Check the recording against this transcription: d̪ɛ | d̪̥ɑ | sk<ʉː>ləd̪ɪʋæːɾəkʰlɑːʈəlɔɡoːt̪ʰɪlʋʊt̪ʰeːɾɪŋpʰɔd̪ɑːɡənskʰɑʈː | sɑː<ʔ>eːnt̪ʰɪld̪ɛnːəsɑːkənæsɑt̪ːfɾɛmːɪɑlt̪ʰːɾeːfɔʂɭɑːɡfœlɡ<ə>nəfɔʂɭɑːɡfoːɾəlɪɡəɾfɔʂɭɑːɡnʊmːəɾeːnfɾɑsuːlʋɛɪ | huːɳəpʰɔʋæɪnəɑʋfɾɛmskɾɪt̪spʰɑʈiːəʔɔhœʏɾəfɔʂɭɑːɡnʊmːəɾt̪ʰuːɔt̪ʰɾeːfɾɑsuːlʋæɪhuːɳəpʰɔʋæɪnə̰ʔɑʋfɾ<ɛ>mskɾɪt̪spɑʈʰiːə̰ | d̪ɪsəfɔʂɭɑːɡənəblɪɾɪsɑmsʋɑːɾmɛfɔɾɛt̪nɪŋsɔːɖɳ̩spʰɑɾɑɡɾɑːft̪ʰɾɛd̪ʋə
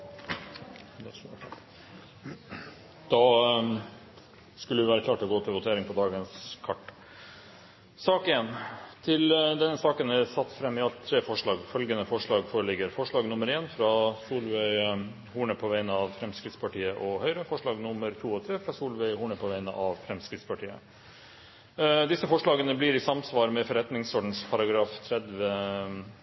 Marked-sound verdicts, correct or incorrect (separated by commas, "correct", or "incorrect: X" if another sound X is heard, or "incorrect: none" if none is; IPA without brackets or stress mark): incorrect: ʉ, incorrect: k, correct, correct